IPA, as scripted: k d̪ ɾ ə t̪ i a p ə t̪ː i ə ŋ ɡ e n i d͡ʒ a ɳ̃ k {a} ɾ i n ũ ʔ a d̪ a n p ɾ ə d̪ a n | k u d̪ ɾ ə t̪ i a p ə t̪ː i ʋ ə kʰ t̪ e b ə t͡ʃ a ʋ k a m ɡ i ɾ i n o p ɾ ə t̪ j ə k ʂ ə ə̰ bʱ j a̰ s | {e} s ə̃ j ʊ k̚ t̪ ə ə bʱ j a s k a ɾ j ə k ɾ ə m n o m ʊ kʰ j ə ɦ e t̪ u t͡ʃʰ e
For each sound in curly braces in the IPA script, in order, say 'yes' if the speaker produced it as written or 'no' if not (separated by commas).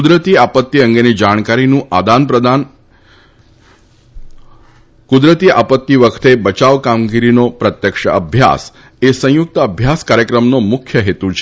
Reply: yes, yes